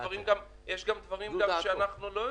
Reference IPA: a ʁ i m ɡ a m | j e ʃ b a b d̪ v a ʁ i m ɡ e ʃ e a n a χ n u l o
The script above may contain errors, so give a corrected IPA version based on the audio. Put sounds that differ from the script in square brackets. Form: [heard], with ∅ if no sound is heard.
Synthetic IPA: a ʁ i m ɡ a m | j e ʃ [ɡ] a [m] d̪ v a ʁ i m ɡ [a] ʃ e a n a χ n u l o